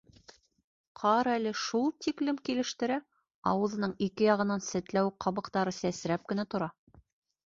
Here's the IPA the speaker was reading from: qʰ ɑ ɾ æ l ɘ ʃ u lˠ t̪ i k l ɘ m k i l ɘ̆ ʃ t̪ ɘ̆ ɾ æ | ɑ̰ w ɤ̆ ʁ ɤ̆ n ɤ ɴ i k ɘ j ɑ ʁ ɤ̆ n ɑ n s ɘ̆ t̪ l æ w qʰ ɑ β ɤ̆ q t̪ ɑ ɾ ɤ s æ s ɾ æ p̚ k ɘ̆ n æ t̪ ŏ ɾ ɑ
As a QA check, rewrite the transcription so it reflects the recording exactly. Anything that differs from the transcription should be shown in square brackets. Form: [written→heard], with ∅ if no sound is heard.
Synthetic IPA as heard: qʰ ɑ ɾ æ l ɘ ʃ u lˠ t̪ i k l ɘ m k i l ɘ̆ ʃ t̪ ɘ̆ ɾ æ | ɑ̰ w ɤ̆ [ʁ→ð] ɤ̆ n ɤ ɴ i k ɘ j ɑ ʁ ɤ̆ n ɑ n s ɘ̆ t̪ l æ w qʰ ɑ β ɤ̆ q t̪ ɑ ɾ ɤ s æ s ɾ æ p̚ k ɘ̆ n æ t̪ ŏ ɾ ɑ

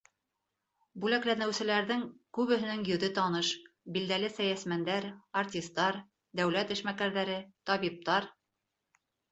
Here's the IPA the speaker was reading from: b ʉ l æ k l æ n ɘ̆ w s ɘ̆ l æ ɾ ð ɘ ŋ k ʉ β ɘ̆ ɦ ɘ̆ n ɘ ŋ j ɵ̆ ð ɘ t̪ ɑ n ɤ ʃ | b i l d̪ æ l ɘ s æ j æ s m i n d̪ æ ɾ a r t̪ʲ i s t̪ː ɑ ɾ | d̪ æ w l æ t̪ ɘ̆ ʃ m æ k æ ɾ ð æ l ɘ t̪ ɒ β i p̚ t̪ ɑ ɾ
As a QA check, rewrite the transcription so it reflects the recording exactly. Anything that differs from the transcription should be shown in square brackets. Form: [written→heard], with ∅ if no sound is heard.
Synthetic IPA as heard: b ʉ l æ k l æ n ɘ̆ w s ɘ̆ l æ ɾ ð ɘ ŋ k ʉ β ɘ̆ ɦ ɘ̆ n ɘ ŋ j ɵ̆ ð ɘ t̪ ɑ n ɤ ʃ | b i l d̪ æ l ɘ s æ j æ s m [i→æ] n d̪ æ ɾ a r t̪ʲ i s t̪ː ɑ ɾ | d̪ æ w l æ t̪ ɘ̆ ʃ m æ k æ ɾ ð æ [l→ɾ] ɘ t̪ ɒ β i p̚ t̪ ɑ ɾ

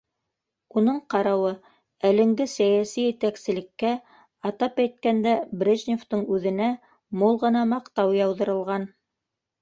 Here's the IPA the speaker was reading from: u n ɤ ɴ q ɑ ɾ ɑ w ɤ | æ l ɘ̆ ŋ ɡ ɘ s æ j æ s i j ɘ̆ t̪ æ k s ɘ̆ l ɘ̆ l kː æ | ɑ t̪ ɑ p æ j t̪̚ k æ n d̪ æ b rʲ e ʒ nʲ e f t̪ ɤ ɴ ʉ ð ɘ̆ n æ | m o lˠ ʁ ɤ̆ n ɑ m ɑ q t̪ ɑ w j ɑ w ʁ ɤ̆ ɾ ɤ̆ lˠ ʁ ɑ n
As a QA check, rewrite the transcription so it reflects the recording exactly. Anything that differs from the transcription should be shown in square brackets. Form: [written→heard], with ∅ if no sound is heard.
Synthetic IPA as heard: u n ɤ ɴ q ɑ ɾ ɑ w ɤ | æ l ɘ̆ ŋ ɡ ɘ s æ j æ s i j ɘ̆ t̪ æ k s ɘ̆ l ɘ̆ [l→∅] kː æ | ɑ t̪ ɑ p æ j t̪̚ k æ n d̪ æ b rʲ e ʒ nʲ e f t̪ ɤ ɴ ʉ ð ɘ̆ n æ | m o lˠ ʁ ɤ̆ n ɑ m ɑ q t̪ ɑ w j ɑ w [ʁ→ð] ɤ̆ ɾ ɤ̆ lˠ ʁ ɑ n

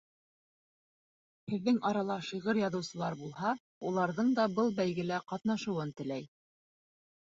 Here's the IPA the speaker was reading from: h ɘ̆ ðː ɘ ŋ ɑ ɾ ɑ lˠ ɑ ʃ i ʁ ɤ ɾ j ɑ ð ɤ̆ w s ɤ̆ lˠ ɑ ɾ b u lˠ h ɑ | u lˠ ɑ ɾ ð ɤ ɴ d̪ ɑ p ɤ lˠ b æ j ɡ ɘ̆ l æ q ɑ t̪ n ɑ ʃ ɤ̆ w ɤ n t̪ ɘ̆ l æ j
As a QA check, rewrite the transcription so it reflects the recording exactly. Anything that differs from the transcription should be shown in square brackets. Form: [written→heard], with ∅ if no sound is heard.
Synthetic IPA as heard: h ɘ̆ ðː ɘ ŋ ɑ ɾ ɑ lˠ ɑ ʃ i ʁ ɤ ɾ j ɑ ð ɤ̆ w s ɤ̆ lˠ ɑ ɾ b u lˠ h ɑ | u lˠ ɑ ɾ ð ɤ ɴ d̪ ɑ [p→b] ɤ lˠ b æ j ɡ ɘ̆ l æ q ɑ t̪ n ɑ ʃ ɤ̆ w ɤ n t̪ ɘ̆ l æ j

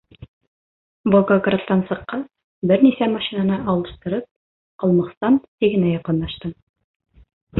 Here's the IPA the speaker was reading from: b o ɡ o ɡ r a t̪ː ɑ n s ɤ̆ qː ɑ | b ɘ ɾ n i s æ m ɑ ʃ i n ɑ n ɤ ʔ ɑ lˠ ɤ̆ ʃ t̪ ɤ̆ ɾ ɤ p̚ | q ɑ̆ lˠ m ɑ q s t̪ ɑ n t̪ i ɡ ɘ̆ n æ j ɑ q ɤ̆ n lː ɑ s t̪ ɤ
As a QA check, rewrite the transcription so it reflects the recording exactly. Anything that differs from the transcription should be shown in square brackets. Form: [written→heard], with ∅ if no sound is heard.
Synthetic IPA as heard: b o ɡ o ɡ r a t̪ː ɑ n s ɤ̆ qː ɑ | b ɘ ɾ n i s æ m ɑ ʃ i n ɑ n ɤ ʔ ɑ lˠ ɤ̆ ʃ t̪ ɤ̆ ɾ ɤ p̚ | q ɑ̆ lˠ m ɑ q s t̪ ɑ n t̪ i ɡ ɘ̆ n æ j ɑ q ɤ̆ n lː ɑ [s→ʃ] t̪ ɤ

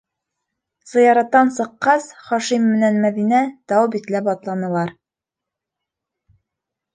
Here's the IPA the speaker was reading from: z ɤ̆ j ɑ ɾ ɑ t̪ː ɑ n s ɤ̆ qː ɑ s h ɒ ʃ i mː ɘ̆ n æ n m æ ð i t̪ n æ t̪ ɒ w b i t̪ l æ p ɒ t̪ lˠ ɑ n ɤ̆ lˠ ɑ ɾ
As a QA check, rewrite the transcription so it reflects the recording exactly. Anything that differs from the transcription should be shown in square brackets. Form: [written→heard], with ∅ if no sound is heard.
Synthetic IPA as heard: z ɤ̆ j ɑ ɾ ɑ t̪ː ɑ n s ɤ̆ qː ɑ s [h→χ] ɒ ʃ i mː ɘ̆ n æ n m æ ð i [t̪→∅] n æ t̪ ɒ w b i t̪ l æ p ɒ t̪ lˠ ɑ n ɤ̆ lˠ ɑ ɾ

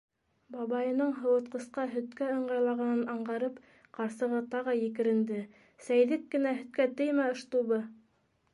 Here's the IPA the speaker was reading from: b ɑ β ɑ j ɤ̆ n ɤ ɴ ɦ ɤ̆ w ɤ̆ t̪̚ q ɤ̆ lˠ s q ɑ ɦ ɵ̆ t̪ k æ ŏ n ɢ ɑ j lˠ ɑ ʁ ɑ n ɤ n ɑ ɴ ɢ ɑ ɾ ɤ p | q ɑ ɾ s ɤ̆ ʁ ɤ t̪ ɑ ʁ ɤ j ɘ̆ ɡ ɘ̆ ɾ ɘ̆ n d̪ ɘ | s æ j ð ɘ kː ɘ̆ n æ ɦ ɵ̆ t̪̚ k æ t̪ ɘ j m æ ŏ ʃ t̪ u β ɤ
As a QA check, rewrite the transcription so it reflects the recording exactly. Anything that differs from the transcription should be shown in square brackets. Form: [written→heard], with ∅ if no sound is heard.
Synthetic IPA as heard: b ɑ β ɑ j ɤ̆ n ɤ ɴ ɦ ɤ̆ w ɤ̆ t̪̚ q ɤ̆ [lˠ→∅] s q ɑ ɦ ɵ̆ t̪ k æ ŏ [n→ɴ] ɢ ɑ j lˠ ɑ ʁ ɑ n ɤ n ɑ ɴ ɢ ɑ ɾ ɤ p | q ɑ ɾ s ɤ̆ ʁ ɤ t̪ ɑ ʁ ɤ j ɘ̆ [ɡ→k] ɘ̆ ɾ ɘ̆ n d̪ ɘ | s æ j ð ɘ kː ɘ̆ n æ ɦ ɵ̆ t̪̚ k æ t̪ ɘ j m æ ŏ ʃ t̪ u β ɤ

